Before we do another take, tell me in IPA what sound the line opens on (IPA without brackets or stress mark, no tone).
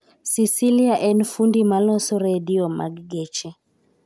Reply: s